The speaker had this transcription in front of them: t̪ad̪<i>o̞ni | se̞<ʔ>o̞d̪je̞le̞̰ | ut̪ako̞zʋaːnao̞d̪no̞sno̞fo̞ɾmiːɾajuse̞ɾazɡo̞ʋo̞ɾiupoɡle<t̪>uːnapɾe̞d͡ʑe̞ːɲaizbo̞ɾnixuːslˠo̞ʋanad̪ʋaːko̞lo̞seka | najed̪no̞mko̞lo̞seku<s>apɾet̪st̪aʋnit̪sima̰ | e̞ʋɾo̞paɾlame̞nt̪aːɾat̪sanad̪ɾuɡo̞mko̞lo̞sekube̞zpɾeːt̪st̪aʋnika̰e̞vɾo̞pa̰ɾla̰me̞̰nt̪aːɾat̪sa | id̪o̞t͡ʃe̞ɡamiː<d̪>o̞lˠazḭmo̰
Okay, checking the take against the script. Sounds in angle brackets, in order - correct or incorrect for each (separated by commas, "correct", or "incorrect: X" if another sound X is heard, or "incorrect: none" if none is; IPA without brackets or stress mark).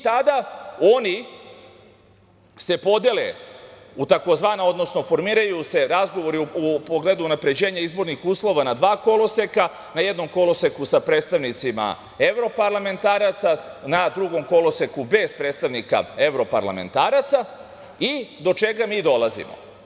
incorrect: a, incorrect: p, incorrect: d̪, correct, correct